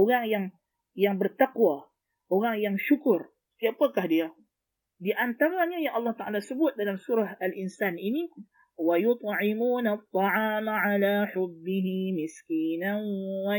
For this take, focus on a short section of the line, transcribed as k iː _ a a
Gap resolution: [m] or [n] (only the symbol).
n